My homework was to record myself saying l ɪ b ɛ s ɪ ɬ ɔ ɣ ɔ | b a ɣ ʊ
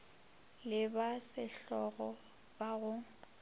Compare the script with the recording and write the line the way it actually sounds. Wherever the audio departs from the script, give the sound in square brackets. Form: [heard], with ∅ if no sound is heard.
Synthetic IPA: l ɪ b [a] s ɪ ɬ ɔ ɣ ɔ | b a ɣ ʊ